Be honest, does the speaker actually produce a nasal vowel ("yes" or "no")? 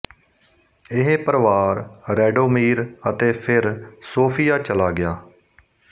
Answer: no